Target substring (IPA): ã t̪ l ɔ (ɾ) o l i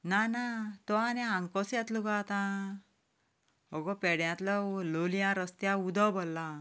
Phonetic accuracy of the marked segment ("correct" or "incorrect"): incorrect